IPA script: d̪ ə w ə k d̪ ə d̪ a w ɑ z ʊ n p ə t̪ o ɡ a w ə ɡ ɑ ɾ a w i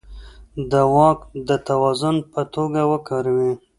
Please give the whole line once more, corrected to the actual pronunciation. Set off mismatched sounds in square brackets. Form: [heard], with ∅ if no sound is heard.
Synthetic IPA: d̪ ə w [ɑ] k d̪ ə [t̪] a w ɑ z ʊ n p ə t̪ o ɡ a w ə [k] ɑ ɾ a w i